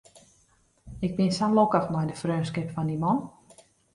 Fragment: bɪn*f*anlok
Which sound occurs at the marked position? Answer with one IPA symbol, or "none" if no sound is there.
s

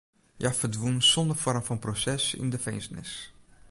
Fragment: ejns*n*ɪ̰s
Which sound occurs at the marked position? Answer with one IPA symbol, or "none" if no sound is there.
n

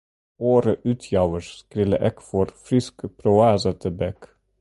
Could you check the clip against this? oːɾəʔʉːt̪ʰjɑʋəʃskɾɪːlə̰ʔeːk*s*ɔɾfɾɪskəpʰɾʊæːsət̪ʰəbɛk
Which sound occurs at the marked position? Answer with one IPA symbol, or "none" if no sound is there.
f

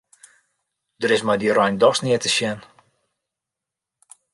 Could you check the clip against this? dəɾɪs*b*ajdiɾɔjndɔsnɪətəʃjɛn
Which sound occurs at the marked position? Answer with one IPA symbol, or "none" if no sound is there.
m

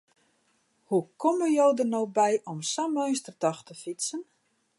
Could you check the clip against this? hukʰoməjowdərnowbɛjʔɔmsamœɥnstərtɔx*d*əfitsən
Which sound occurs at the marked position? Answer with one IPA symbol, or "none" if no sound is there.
t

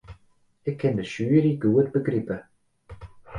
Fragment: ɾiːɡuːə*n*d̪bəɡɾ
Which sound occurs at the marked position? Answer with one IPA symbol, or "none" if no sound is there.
none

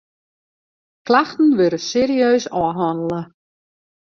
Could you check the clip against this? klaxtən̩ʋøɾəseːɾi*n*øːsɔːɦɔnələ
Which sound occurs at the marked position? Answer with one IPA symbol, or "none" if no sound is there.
none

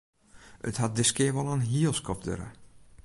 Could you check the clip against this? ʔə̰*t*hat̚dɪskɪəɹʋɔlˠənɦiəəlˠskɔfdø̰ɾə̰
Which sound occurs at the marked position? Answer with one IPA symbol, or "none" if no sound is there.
t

